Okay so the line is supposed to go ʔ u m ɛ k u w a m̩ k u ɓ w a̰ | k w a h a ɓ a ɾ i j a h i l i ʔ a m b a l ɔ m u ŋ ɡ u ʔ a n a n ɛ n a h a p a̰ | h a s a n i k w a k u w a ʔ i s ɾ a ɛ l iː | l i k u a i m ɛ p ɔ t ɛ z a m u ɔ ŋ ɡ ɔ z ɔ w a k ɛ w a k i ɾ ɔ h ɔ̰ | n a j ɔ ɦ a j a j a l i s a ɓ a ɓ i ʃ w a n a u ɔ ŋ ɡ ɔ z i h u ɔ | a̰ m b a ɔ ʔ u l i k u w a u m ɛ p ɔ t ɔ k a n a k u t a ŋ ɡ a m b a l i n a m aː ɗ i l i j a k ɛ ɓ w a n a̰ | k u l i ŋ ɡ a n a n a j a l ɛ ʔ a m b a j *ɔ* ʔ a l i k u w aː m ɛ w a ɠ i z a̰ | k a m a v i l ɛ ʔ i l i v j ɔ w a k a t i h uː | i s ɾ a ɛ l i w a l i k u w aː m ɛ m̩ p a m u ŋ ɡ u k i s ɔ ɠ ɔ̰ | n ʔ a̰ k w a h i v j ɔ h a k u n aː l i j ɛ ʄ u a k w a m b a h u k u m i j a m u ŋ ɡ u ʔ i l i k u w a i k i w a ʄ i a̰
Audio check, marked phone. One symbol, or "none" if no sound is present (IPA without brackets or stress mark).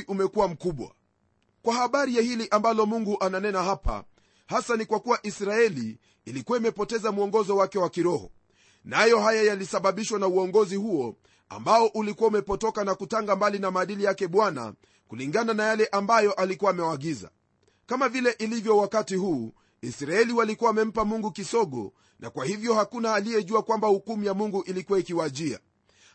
ɔ